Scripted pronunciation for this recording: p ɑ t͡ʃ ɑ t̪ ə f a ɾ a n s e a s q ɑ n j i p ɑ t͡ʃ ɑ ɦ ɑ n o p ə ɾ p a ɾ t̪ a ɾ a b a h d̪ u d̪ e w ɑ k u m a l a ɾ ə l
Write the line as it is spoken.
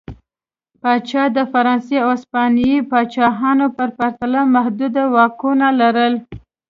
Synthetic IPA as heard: p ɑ t͡ʃ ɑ d̪ ə f a ɾ ɑ n s e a s p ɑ n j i p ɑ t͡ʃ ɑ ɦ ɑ n o p ə ɾ p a ɾ t̪ a l a m a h d̪ u d̪ a w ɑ k u n a l a ɾ ə l